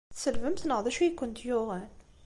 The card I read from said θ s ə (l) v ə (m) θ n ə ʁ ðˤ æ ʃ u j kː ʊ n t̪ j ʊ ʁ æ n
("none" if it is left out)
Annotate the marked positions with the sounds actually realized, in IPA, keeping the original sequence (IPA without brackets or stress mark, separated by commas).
l, m